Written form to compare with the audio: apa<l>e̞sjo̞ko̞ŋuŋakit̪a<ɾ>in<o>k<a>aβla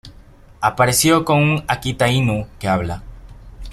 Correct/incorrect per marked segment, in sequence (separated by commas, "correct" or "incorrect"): incorrect, incorrect, incorrect, incorrect